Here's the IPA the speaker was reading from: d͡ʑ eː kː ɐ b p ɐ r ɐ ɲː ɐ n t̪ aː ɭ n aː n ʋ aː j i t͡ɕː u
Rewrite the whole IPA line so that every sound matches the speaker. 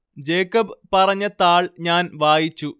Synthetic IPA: d͡ʑ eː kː ɐ b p ɐ r ɐ ɲː ɐ t̪ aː ɭ ɲ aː n ʋ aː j i t͡ɕː u